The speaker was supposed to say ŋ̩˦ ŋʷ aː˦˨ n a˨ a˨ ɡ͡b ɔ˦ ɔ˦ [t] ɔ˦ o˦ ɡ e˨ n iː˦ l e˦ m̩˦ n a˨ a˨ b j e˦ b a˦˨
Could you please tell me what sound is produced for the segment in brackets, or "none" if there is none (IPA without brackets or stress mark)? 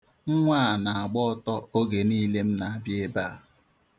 t